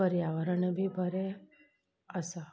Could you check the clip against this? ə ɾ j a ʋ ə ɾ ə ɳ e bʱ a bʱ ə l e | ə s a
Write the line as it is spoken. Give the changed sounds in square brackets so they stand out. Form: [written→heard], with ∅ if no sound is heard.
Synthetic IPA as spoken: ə ɾ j a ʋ ə ɾ ə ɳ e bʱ [a→i] bʱ ə [l→ɾ] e | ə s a